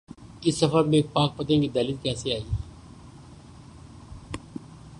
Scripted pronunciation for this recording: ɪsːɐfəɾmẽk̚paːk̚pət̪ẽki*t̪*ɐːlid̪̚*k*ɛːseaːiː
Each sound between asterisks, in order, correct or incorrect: incorrect: d̪, correct

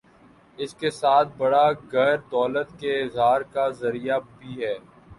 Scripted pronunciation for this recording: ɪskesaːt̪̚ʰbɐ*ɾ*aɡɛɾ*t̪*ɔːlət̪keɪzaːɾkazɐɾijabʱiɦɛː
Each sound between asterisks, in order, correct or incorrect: incorrect: ɽ, incorrect: d̪

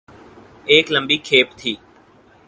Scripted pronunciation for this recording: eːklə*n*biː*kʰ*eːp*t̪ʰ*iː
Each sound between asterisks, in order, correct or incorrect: incorrect: m, correct, correct

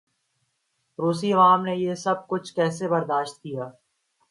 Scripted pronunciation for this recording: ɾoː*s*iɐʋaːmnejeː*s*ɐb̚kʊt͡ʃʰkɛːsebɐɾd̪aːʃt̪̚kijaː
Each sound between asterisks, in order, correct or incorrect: correct, correct

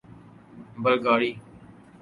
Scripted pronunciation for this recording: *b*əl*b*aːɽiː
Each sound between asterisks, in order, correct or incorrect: correct, incorrect: ɡ

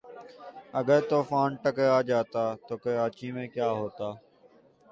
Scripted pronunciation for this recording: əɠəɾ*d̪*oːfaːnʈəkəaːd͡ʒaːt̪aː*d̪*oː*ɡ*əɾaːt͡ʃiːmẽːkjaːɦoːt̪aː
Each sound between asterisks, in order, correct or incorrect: incorrect: t̪, incorrect: t̪, incorrect: k

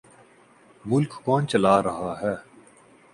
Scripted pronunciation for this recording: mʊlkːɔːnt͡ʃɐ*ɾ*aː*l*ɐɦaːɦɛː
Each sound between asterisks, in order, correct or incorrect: incorrect: l, incorrect: ɾ

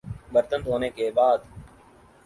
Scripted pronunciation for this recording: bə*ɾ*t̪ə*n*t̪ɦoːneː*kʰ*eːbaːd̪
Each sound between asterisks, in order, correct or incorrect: correct, correct, incorrect: k

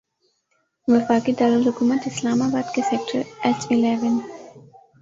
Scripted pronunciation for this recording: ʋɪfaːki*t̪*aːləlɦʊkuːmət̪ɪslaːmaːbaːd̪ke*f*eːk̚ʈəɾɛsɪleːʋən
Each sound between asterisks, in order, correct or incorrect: incorrect: d̪, incorrect: s

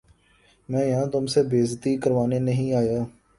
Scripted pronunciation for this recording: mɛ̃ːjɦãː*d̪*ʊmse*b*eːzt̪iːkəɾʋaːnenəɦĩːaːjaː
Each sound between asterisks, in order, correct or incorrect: incorrect: t̪, correct

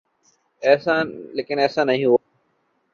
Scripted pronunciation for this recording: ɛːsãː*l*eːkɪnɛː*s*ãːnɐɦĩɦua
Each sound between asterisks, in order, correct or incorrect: correct, correct

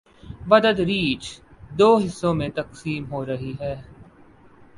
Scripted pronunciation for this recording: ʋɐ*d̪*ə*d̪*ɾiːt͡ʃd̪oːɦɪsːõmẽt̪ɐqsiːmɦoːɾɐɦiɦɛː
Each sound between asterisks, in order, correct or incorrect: correct, correct

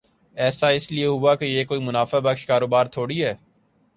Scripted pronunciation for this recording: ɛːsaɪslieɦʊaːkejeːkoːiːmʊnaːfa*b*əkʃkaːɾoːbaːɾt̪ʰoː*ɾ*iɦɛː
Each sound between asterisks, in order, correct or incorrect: correct, incorrect: ɽ

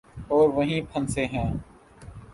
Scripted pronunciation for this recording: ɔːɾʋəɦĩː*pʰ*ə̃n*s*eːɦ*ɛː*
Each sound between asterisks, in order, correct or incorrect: correct, correct, incorrect: ɛ̃ː

